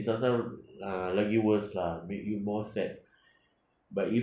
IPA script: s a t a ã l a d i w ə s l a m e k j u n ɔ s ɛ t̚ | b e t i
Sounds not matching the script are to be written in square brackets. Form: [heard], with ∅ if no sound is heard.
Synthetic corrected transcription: s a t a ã l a [ɡ] i w ə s l a m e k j u [m] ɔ s ɛ t̚ | b [a] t i